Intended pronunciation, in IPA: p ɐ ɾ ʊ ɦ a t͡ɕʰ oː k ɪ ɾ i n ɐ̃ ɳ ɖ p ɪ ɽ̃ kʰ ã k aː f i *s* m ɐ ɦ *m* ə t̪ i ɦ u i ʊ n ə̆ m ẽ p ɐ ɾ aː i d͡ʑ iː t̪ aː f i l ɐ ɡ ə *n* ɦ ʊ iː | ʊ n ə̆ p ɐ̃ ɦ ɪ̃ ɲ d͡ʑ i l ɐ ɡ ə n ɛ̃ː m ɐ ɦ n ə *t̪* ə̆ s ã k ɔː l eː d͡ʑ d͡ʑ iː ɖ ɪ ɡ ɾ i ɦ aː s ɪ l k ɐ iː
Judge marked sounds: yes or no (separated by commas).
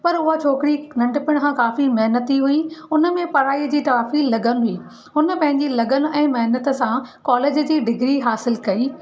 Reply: no, no, yes, yes